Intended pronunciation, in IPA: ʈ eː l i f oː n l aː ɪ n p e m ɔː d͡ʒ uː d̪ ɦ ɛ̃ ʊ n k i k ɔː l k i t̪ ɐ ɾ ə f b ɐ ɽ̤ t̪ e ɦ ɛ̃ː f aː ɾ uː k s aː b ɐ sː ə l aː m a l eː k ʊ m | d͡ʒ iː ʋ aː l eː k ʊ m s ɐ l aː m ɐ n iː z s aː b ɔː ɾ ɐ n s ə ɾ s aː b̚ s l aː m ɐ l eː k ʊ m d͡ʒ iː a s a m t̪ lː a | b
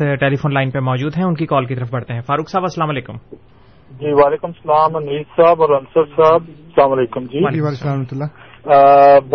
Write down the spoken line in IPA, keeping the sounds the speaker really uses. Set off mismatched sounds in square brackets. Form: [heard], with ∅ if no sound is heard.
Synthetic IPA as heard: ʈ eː l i f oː n l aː ɪ n p e m ɔː d͡ʒ uː d̪ ɦ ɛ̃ ʊ n k i k ɔː l k i t̪ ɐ ɾ ə f b ɐ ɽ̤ t̪ e ɦ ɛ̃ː f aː ɾ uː k s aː b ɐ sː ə l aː m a l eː k ʊ m | d͡ʒ iː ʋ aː l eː k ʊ m s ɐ l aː m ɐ n iː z s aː b ɔː ɾ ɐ n s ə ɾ s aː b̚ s l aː m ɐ l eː k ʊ m d͡ʒ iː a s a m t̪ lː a | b